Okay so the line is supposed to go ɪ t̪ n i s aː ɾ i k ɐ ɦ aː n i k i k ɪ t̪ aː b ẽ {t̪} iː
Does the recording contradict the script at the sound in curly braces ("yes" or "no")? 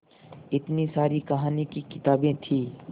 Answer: yes